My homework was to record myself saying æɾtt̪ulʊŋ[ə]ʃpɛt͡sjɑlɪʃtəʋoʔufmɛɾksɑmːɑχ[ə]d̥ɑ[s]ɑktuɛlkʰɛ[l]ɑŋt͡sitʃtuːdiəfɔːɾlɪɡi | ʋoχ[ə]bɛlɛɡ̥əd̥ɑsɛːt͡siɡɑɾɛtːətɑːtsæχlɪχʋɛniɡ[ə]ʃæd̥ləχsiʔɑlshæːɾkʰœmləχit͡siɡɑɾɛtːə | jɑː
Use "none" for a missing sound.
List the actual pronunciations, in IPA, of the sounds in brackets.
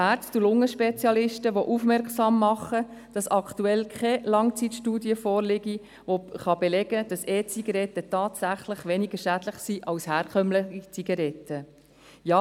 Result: ə, ə, s, l, ɑ, ə

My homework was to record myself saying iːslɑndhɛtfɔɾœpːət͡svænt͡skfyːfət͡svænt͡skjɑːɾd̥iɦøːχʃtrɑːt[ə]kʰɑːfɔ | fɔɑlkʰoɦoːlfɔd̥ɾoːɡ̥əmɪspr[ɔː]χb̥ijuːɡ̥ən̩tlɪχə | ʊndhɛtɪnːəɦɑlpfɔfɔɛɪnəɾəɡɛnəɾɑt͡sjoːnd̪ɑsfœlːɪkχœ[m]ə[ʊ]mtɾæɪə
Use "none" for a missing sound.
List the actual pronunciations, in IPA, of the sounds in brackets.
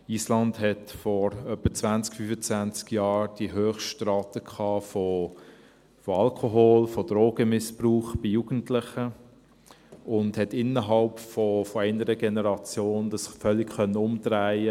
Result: ə, uː, n, ʊ

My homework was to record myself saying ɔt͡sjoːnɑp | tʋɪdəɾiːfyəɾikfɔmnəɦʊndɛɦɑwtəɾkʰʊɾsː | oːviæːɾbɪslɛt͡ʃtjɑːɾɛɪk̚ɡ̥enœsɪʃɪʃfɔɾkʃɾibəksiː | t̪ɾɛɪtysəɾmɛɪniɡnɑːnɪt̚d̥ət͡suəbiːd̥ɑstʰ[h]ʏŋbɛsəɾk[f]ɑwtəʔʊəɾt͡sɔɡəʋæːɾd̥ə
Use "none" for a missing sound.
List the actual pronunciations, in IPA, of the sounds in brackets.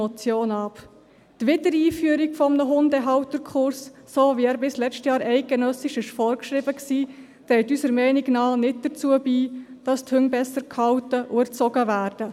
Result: h, h

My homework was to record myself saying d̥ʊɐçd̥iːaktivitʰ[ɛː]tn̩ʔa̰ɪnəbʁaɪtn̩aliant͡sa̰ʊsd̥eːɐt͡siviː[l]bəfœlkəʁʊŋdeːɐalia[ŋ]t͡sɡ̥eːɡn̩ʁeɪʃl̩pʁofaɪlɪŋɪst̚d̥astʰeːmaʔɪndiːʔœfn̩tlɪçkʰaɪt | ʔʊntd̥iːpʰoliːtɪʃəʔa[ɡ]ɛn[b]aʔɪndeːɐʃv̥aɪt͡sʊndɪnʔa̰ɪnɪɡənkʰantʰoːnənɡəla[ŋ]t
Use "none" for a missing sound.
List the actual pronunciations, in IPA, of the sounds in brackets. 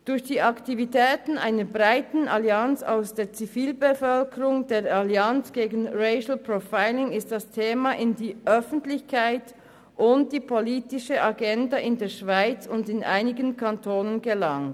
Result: ɛː, l, n, ɡ, d, ŋ

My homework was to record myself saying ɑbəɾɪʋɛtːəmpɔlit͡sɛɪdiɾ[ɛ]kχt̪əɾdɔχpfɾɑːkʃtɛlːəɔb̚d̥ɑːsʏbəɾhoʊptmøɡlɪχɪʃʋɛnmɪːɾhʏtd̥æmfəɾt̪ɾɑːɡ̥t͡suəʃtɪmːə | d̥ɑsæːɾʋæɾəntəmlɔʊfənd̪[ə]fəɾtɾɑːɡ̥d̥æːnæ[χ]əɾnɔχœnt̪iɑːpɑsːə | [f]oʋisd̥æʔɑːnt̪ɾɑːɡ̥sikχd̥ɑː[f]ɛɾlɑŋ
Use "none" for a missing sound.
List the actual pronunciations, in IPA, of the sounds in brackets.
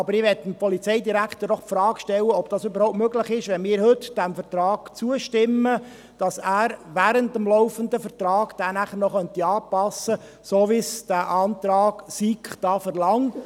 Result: æ, ə, χ, s, f

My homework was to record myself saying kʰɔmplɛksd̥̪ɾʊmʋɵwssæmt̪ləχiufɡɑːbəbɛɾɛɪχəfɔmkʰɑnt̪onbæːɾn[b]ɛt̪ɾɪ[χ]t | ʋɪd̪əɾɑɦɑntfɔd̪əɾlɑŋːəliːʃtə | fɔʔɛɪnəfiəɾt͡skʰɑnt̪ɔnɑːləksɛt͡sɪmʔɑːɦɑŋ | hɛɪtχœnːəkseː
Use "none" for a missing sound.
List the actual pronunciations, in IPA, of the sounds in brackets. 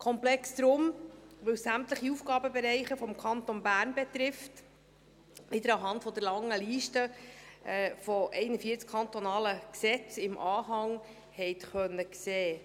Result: b, f

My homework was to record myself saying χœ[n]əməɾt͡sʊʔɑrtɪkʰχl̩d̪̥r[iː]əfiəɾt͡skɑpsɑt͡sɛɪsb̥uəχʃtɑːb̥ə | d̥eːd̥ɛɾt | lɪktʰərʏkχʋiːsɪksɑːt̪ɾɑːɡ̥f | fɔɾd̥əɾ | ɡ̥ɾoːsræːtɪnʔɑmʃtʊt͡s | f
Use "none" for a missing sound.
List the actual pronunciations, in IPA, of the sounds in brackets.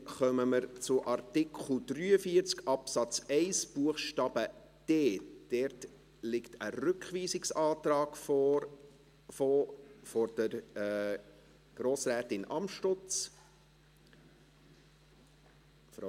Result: m, yː

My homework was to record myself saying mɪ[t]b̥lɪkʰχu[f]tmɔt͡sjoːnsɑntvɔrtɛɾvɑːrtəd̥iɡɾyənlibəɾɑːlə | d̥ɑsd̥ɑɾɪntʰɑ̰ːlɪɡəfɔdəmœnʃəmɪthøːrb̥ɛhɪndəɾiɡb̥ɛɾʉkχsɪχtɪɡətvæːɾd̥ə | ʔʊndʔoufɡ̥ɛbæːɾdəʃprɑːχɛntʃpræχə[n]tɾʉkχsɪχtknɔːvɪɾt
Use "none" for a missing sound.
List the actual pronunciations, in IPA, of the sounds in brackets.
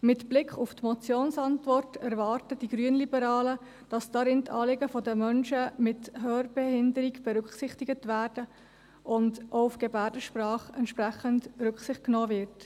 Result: t, f, n

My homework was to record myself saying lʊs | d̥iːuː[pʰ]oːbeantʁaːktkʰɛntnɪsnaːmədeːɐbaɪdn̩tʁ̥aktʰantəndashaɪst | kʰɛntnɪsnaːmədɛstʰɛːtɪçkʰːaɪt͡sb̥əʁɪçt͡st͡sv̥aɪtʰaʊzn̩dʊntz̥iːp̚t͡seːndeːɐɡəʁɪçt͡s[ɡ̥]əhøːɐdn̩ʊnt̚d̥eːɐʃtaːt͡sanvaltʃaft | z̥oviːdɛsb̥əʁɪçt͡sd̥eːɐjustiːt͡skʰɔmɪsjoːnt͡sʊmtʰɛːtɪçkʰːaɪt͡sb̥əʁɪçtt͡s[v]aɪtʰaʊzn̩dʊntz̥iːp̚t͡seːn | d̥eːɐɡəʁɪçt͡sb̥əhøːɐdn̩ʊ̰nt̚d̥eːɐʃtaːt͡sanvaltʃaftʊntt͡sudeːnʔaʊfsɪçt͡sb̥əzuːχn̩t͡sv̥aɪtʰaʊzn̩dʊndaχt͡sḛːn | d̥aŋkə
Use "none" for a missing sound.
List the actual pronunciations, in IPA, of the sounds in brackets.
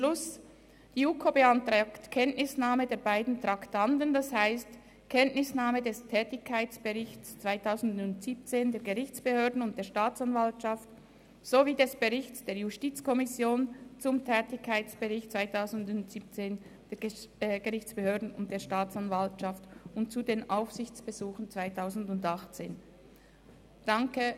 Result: kʰ, b̥, v

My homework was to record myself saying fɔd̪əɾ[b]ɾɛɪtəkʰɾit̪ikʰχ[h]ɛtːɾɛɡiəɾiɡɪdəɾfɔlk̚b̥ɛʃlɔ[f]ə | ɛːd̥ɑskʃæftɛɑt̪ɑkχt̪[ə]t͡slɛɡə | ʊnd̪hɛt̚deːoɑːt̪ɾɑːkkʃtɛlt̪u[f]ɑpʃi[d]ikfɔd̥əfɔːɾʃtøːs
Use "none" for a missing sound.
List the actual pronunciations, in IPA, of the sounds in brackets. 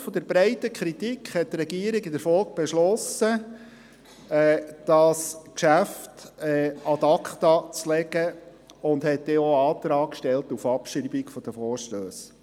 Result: b, h, s, ɑ, f, b

